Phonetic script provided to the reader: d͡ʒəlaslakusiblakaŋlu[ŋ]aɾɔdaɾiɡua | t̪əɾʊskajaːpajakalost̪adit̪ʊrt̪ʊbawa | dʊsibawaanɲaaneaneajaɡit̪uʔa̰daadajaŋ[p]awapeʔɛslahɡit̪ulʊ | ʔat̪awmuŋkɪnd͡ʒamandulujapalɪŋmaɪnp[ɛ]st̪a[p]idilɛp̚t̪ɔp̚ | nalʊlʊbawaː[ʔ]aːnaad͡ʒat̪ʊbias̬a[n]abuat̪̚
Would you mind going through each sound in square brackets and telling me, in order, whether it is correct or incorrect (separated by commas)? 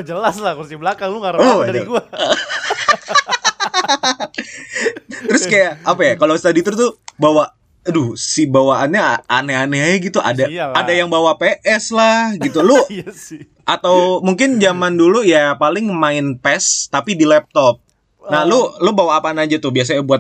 correct, incorrect, correct, correct, incorrect, incorrect